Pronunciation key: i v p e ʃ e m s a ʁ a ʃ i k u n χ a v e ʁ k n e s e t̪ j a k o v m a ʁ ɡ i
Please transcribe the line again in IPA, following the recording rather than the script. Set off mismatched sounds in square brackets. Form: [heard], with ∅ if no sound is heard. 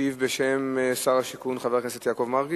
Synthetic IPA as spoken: i v [b] e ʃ e m s a ʁ a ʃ i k u n χ a v e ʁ k n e s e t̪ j a k o v m a ʁ ɡ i